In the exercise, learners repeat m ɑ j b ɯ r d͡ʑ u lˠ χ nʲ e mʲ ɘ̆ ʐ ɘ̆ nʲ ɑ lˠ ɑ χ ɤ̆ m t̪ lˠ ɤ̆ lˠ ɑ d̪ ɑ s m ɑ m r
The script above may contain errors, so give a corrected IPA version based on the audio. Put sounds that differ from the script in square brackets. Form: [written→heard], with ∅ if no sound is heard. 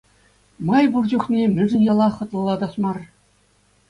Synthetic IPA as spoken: m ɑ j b [ɯ→u] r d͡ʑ u [lˠ→∅] χ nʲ e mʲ ɘ̆ ʐ ɘ̆ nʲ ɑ lˠ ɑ χ ɤ̆ [m→∅] t̪ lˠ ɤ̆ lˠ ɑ d̪ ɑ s m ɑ [m→∅] r